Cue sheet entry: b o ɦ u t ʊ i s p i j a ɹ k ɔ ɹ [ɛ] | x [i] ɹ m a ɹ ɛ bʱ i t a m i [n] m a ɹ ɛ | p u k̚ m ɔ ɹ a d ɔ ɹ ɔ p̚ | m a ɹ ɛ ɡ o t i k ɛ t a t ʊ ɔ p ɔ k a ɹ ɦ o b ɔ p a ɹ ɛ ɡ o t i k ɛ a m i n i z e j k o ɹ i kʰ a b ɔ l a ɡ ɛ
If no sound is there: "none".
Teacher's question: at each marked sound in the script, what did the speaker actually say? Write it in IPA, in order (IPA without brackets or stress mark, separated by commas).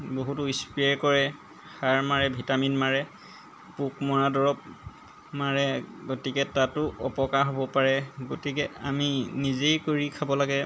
ɛ, a, n